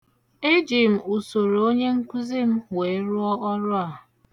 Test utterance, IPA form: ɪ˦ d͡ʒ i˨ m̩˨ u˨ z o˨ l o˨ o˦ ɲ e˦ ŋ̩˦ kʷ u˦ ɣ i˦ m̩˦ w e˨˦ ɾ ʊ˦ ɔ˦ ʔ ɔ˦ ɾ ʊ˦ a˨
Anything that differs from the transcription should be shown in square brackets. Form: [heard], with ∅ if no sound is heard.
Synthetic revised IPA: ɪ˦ d͡ʒ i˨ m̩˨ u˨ [s] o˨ [ɾ] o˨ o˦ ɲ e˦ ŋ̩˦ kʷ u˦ [z] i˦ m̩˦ w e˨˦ ɾ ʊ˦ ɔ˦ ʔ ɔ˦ ɾ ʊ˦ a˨